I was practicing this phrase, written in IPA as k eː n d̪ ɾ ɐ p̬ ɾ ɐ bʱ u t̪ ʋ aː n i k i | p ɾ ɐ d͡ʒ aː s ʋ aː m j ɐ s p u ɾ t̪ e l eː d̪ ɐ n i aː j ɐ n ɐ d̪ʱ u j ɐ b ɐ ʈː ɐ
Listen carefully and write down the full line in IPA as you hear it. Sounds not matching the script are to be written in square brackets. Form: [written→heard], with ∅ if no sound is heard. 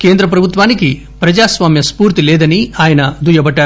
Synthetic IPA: k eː n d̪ ɾ ɐ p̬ ɾ ɐ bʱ u t̪ ʋ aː n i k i | p ɾ ɐ d͡ʒ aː s ʋ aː m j ɐ s p [u→uː] ɾ t̪ [e→i] l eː d̪ ɐ n i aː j ɐ n ɐ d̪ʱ u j ɐ b ɐ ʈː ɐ

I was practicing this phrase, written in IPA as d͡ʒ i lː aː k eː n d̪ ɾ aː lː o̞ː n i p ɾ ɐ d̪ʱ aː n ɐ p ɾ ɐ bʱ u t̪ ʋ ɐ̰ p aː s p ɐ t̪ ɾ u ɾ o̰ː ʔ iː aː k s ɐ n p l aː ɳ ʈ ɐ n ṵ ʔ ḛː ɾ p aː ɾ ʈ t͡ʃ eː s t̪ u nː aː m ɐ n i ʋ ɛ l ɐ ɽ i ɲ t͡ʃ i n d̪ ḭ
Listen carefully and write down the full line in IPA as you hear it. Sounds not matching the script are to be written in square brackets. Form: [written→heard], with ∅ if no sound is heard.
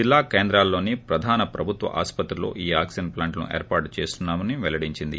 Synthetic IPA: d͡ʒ i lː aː k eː n d̪ ɾ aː lː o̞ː n i p ɾ ɐ d̪ʱ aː n ɐ p ɾ ɐ bʱ u t̪ ʋ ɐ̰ [p→ʔ] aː s p ɐ t̪ ɾ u [ɾ→l] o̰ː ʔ iː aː k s ɐ n p l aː ɳ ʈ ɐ n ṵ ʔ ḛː ɾ p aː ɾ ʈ t͡ʃ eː s t̪ u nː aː m ɐ n i ʋ ɛ l ɐ ɽ i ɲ t͡ʃ i n d̪ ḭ

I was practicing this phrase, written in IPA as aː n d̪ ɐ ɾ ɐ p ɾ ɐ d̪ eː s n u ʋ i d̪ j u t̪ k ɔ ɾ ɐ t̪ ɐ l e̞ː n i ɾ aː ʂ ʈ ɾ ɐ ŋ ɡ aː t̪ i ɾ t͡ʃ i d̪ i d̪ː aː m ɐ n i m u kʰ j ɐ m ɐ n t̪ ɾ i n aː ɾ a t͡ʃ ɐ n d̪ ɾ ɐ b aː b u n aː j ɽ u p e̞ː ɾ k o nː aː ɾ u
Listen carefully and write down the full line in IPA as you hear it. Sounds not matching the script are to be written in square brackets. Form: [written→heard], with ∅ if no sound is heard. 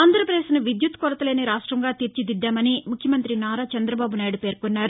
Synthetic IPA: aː n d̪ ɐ ɾ ɐ p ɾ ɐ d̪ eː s n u ʋ i d̪ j u t̪ k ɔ ɾ ɐ t̪ ɐ l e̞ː n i ɾ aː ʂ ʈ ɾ ɐ ŋ ɡ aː t̪ i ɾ t͡ʃ i d̪ i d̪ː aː m ɐ n i m u kʰ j ɐ m ɐ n t̪ ɾ i n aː ɾ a t͡ʃ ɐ n d̪ ɾ ɐ b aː b u n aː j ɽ u p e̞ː ɾ k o nː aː ɾ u

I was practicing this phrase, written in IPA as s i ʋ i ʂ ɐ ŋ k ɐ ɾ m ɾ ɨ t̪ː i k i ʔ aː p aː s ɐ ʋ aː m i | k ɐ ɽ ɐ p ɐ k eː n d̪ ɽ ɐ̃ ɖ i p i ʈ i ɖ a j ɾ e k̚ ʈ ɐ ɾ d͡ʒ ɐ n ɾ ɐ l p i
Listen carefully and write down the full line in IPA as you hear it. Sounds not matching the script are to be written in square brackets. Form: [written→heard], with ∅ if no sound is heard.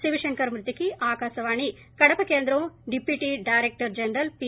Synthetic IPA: s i ʋ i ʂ ɐ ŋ k ɐ ɾ m ɾ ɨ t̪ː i k i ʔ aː [p→k] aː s ɐ ʋ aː [m→ɳ] i | k ɐ ɽ ɐ p ɐ k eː n d̪ [ɽ→ɾ] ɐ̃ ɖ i p i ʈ i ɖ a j ɾ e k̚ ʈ ɐ ɾ d͡ʒ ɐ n ɾ ɐ l p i

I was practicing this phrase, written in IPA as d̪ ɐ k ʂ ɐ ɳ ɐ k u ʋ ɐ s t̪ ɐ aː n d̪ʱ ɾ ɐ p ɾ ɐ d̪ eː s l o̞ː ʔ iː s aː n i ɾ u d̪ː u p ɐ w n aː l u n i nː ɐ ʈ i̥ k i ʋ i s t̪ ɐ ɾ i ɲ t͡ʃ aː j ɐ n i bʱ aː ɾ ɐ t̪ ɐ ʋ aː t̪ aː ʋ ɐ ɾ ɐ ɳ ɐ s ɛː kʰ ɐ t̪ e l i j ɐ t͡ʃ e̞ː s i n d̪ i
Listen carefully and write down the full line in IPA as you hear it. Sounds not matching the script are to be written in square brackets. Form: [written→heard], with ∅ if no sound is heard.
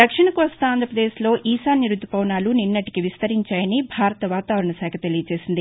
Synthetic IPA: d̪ ɐ k ʂ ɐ ɳ ɐ k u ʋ ɐ s t̪ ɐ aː n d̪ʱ ɾ ɐ p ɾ ɐ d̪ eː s l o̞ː ʔ iː s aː n i ɾ u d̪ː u p ɐ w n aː l u n i nː ɐ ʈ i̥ k i ʋ i s t̪ ɐ ɾ i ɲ t͡ʃ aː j ɐ n i bʱ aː ɾ ɐ t̪ ɐ ʋ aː t̪ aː ʋ ɐ ɾ ɐ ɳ ɐ s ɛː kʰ ɐ t̪ e l i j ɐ t͡ʃ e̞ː s i n d̪ i

